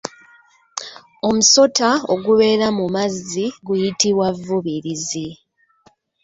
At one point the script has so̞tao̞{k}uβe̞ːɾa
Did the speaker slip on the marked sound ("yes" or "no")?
yes